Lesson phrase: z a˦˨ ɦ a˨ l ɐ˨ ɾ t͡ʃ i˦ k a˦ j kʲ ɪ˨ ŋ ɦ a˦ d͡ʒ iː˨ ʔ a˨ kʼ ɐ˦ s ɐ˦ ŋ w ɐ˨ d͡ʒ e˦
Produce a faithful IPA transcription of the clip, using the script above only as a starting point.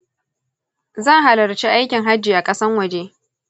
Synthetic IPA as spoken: z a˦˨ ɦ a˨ l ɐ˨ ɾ t͡ʃ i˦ ʔ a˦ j kʲ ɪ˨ ŋ ɦ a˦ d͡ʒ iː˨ ʔ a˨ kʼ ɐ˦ s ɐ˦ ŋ w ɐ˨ d͡ʒ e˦